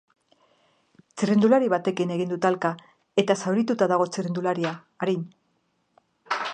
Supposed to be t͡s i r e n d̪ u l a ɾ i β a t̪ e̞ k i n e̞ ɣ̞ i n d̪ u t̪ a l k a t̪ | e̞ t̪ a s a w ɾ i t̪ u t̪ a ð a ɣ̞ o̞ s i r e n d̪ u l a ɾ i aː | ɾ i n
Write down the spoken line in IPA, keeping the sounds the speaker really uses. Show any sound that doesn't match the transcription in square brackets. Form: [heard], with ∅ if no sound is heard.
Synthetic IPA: t͡s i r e n d̪ u l a ɾ i β a t̪ e̞ k i n e̞ ɣ̞ i n d̪ u t̪ a l k a [∅] | e̞ t̪ a s a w ɾ i t̪ u t̪ a ð a ɣ̞ o̞ [t͡s] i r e n d̪ u l a ɾ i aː | ɾ i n